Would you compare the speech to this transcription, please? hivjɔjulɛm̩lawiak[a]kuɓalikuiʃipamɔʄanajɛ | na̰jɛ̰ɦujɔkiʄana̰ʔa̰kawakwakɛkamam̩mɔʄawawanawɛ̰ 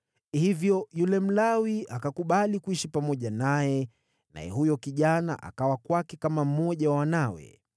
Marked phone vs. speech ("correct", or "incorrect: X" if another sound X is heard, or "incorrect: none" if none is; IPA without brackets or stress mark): correct